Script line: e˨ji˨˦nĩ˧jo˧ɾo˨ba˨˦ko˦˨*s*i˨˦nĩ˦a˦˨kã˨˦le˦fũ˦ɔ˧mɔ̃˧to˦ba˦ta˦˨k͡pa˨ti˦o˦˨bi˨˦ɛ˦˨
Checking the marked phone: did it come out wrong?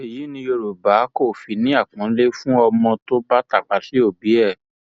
yes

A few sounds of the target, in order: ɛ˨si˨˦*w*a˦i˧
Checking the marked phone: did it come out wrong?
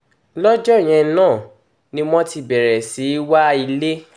no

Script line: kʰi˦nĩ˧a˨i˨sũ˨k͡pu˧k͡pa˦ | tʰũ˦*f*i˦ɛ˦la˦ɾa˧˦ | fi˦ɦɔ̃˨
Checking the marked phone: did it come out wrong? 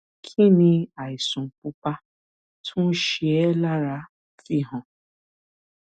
yes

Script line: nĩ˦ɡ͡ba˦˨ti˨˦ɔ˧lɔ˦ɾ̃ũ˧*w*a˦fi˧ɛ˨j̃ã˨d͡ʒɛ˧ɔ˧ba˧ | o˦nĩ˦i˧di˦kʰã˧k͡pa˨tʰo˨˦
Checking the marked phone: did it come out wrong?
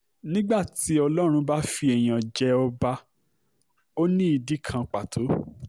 yes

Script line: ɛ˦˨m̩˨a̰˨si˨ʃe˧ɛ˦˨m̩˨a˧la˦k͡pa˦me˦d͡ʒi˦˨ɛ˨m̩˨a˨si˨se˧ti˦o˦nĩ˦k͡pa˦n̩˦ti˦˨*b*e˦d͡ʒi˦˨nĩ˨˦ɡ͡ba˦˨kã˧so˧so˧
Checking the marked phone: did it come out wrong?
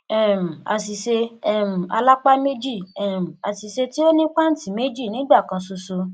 yes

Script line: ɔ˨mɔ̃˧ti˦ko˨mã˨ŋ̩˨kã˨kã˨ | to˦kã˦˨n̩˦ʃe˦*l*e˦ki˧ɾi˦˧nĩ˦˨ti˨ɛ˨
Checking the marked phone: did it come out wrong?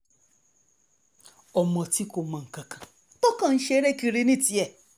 yes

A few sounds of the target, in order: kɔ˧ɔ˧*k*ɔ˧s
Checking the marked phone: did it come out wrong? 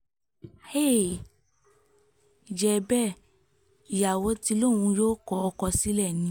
no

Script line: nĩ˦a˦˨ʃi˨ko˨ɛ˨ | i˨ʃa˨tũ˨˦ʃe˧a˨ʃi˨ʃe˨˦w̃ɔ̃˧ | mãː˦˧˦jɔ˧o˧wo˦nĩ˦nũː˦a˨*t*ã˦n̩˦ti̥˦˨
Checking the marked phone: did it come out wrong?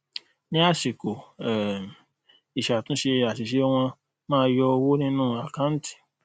yes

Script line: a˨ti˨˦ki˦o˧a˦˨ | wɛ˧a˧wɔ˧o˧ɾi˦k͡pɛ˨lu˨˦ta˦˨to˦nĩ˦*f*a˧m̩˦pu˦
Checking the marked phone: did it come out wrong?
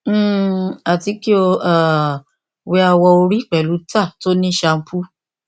yes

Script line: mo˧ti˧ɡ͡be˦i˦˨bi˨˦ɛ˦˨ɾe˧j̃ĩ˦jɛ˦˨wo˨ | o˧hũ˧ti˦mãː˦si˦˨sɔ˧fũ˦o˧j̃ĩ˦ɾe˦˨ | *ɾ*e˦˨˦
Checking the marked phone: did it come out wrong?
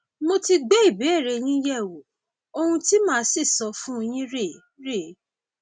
no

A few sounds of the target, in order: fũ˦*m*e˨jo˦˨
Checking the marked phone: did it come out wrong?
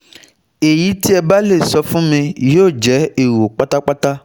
no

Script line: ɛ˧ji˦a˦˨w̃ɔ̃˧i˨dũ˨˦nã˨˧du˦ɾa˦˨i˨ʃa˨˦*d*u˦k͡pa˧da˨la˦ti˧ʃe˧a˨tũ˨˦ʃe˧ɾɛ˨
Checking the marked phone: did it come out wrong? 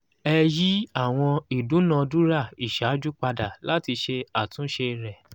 yes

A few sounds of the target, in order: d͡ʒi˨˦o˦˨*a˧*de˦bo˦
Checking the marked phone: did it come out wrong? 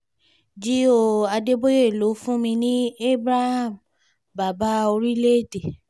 no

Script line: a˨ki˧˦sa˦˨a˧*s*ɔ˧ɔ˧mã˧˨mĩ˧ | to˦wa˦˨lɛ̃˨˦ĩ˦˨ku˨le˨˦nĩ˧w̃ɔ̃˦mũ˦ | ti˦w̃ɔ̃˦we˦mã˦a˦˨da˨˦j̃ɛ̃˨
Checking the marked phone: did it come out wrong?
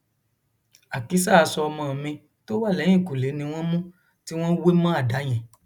no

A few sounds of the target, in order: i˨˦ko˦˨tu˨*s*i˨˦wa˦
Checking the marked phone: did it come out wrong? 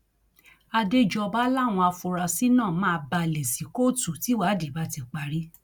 yes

